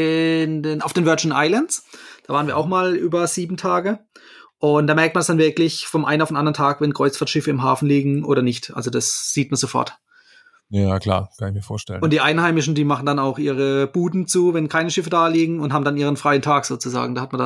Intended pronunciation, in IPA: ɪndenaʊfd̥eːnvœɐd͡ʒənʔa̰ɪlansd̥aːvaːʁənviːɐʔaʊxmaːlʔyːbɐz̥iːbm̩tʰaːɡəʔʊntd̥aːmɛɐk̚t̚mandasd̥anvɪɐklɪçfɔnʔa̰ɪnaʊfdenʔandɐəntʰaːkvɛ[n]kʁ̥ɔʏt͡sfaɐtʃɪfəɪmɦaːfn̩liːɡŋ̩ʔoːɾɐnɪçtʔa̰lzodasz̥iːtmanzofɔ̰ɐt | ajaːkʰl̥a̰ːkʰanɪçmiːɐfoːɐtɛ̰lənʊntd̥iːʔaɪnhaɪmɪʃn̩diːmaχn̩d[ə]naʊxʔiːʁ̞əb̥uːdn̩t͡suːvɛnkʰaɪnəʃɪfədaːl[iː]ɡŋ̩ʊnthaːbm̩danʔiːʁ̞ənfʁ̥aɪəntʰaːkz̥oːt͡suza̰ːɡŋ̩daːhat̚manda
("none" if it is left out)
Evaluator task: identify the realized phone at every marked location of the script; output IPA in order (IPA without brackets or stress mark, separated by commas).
n, a, iː